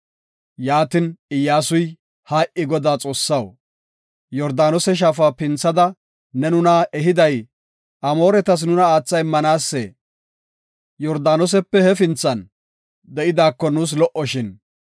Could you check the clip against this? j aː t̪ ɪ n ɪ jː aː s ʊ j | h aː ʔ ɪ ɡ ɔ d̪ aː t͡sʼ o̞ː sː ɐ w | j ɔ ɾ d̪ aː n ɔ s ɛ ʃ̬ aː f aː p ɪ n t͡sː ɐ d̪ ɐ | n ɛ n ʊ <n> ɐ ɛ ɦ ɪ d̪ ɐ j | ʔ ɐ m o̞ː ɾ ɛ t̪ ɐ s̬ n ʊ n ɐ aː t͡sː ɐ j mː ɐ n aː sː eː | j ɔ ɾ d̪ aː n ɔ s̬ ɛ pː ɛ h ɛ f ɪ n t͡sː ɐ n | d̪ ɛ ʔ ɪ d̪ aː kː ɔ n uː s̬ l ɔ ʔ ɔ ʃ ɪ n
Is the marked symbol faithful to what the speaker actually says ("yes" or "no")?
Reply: yes